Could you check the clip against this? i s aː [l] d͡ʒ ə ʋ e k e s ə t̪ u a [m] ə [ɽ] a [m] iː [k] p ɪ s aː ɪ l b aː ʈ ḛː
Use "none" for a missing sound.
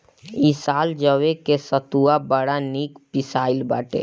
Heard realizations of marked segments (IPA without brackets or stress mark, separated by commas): l, b, ɽ, n, k